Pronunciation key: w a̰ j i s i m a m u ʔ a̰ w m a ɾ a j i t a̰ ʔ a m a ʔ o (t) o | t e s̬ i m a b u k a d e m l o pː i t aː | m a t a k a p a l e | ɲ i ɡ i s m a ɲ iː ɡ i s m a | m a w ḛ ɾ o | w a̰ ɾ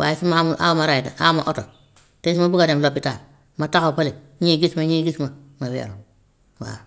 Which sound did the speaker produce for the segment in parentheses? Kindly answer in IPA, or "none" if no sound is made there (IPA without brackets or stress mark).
t